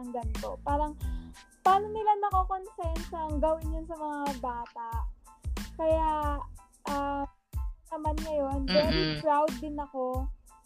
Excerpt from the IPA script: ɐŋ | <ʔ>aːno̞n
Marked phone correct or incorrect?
incorrect